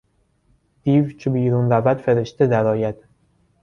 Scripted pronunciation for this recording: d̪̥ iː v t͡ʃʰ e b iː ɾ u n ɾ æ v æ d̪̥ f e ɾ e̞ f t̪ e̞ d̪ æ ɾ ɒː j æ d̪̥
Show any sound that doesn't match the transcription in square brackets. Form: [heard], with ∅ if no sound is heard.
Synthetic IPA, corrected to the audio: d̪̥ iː v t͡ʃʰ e b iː ɾ u n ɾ æ v æ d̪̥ f e ɾ e̞ [ʃ] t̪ e̞ d̪ æ ɾ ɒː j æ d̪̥